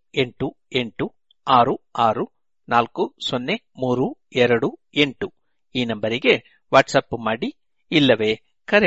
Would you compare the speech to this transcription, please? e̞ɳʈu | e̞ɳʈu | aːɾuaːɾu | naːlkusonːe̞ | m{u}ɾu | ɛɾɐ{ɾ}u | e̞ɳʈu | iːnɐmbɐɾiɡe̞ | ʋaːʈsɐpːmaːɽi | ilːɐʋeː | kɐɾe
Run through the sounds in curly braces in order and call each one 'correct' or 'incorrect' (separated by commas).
incorrect, incorrect